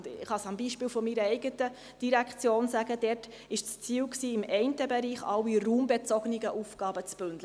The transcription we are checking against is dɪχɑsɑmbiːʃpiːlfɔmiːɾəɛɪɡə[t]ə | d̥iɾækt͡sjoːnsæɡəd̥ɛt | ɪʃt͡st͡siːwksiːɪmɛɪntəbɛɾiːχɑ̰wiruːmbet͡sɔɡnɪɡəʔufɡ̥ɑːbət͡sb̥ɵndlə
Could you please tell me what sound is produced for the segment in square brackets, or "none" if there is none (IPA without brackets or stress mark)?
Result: t